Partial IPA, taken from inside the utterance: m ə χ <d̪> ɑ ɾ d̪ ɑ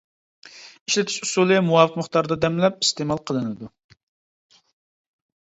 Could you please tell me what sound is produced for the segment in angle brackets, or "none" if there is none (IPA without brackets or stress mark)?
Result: t̪